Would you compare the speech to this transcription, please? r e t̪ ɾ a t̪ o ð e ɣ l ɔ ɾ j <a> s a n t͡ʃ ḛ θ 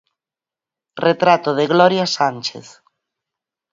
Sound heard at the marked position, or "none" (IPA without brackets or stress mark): a